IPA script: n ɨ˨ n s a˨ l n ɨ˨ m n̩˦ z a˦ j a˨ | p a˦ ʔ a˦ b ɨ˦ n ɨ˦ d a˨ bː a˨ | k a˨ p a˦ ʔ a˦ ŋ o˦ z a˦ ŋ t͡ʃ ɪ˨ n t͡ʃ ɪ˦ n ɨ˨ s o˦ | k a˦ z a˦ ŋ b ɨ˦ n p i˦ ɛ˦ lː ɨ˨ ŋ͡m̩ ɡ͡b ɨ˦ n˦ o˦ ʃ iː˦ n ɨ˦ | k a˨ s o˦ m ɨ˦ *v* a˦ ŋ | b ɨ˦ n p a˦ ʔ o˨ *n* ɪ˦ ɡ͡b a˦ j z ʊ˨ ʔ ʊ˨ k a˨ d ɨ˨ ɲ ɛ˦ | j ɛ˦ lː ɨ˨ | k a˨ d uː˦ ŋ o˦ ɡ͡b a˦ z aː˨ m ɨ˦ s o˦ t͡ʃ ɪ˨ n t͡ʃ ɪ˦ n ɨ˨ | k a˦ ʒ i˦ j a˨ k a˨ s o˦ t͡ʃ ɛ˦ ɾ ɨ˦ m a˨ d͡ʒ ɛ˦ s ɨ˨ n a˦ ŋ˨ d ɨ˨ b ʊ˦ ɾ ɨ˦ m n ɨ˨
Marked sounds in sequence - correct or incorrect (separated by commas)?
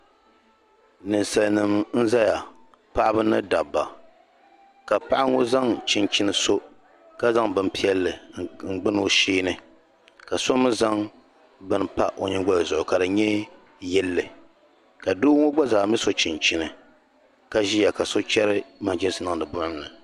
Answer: incorrect, incorrect